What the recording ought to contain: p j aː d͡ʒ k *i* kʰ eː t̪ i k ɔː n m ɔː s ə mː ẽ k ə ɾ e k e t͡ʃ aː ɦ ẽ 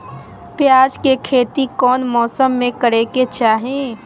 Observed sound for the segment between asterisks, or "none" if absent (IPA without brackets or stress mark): e